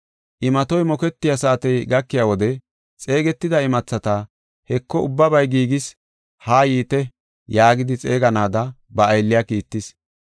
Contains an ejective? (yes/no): yes